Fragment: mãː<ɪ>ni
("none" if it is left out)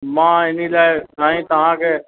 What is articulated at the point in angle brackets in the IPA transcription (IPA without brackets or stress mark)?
ɪ